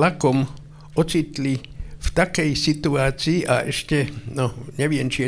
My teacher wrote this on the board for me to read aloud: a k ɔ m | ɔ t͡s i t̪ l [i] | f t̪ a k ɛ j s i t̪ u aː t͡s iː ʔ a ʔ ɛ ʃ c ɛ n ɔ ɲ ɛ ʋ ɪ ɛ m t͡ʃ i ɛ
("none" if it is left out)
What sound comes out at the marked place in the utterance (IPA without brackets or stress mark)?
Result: i